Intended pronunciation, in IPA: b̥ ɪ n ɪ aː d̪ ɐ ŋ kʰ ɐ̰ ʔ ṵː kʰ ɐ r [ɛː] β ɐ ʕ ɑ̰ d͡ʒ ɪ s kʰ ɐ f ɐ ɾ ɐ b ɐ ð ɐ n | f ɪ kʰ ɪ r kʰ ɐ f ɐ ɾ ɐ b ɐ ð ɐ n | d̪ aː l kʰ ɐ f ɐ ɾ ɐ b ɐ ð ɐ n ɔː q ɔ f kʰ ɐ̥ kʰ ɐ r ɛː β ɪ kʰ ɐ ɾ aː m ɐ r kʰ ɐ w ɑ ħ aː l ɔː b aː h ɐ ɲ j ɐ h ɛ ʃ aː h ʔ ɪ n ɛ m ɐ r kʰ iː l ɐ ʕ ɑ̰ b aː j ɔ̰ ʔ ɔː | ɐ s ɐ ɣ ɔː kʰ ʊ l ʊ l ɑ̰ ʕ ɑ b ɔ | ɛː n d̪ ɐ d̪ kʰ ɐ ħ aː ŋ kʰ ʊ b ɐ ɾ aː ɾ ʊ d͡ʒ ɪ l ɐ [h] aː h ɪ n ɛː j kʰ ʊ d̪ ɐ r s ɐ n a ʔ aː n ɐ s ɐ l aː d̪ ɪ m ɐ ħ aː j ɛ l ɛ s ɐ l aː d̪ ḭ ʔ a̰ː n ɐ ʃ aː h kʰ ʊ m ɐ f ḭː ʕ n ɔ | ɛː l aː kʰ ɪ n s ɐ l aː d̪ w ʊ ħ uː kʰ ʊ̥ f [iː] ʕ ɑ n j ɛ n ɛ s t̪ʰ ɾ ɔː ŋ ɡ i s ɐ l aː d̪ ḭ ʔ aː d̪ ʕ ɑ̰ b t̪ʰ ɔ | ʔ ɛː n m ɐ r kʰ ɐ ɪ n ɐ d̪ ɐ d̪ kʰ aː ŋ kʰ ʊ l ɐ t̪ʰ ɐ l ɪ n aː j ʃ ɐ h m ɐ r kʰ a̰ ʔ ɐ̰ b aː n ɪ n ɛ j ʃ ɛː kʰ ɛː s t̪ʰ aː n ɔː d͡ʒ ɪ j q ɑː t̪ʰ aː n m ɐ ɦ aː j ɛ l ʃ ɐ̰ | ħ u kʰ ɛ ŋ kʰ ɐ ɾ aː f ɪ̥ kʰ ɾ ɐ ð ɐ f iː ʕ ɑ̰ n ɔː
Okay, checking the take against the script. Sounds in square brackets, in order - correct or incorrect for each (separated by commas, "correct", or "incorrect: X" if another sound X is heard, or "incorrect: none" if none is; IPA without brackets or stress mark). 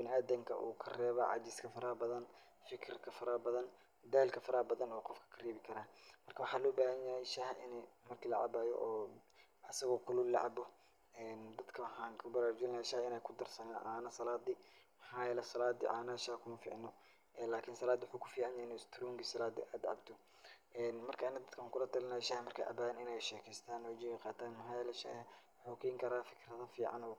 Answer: correct, incorrect: ʃ, correct